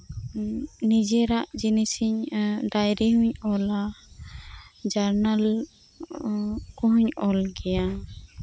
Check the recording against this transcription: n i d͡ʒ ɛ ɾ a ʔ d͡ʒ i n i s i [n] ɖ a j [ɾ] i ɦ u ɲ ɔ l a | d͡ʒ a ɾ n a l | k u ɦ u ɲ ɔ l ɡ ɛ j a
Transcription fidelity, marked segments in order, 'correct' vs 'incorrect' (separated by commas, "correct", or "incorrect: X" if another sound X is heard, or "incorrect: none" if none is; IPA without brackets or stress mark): incorrect: ɲ, correct